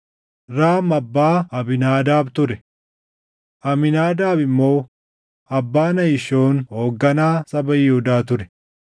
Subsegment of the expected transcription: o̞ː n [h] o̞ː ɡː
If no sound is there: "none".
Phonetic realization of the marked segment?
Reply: h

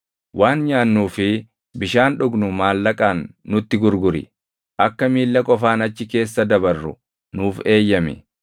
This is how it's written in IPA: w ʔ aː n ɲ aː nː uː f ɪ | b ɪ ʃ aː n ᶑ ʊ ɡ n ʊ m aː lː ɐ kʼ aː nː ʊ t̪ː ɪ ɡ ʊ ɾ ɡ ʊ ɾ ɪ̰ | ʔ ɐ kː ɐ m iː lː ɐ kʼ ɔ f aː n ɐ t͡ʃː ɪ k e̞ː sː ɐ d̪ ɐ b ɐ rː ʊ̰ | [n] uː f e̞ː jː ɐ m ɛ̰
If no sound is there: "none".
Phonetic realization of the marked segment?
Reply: n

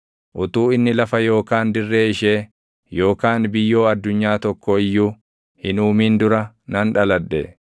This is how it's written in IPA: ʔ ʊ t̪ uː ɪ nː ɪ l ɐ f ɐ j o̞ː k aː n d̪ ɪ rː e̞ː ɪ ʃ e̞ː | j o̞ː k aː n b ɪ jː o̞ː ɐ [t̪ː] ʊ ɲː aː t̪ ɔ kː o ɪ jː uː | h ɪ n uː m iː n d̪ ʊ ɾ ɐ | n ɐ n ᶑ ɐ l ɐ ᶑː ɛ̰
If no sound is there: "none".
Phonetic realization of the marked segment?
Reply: d̪ː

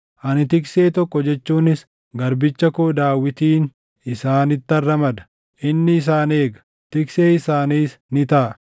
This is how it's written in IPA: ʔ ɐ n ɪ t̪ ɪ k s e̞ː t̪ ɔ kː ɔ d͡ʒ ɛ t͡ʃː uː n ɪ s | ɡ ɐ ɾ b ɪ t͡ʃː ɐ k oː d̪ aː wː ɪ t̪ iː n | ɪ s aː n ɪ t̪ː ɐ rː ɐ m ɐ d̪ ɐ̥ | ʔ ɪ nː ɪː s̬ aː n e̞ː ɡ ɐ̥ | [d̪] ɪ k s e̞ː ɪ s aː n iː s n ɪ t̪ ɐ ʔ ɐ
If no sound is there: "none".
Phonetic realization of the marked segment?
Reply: t̪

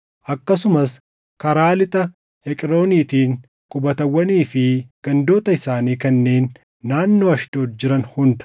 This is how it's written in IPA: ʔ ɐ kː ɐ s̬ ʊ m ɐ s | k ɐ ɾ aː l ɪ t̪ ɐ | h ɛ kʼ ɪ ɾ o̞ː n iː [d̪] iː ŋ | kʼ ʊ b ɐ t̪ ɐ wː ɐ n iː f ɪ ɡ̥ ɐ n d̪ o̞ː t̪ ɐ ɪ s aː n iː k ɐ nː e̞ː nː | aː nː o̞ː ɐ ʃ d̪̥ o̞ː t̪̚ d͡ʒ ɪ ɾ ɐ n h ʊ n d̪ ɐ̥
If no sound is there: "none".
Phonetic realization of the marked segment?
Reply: t̪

